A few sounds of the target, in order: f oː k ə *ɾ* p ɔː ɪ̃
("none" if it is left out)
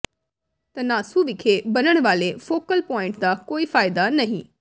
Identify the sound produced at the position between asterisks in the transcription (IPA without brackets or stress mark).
l